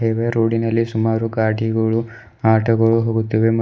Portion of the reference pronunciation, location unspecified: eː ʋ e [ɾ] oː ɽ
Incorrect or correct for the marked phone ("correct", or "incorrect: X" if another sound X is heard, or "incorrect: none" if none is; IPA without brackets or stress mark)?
correct